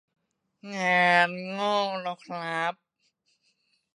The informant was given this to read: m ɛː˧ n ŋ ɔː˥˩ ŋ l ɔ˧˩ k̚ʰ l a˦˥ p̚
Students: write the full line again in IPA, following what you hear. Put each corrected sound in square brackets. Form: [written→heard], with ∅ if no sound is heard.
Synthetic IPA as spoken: [m→ŋ] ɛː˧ n ŋ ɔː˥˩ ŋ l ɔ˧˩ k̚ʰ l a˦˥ p̚